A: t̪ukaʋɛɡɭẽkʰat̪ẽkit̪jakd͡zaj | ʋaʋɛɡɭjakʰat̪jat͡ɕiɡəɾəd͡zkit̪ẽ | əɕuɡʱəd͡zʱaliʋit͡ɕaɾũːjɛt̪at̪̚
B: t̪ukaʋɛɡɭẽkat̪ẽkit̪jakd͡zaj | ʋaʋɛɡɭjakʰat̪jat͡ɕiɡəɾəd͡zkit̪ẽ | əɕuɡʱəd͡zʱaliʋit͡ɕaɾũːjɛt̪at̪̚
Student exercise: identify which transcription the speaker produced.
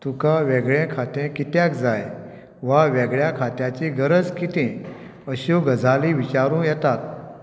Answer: A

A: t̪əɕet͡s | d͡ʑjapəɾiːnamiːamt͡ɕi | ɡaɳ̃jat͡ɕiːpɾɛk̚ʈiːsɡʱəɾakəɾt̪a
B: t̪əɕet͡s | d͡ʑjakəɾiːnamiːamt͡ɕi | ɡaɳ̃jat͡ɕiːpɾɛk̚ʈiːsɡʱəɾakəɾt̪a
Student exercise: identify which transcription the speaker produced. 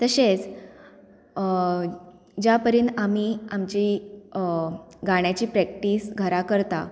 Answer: A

